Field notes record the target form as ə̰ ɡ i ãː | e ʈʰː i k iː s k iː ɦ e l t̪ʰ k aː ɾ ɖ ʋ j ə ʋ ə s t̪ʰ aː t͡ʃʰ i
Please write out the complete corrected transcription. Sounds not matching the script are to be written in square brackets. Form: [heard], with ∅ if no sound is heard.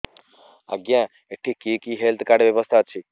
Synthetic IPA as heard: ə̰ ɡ [j] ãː | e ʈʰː i k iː [∅] k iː ɦ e l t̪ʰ k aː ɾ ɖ ʋ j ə ʋ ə s t̪ʰ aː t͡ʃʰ i